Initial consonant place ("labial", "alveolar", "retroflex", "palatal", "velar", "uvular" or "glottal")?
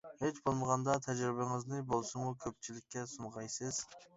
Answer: glottal